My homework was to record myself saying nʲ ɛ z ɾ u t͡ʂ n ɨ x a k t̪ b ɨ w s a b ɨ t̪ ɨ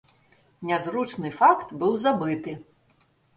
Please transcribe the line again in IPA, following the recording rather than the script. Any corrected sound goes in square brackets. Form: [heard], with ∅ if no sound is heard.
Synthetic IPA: nʲ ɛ z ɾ u t͡ʂ n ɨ [f] a k t̪ b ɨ w [z] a b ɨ t̪ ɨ